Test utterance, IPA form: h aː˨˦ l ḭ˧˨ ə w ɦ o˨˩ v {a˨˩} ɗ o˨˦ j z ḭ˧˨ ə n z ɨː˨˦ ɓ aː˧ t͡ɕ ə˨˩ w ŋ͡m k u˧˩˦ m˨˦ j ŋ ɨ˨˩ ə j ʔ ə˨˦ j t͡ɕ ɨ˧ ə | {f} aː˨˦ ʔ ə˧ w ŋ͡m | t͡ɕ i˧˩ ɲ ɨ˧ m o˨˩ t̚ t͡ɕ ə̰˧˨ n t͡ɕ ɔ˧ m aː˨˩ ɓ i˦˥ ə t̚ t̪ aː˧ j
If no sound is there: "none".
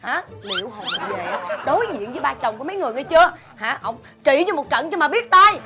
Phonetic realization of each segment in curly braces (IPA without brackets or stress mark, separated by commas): e˨˩, h